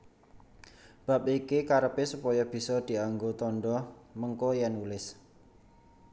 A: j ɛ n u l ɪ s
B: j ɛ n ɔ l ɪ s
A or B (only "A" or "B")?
A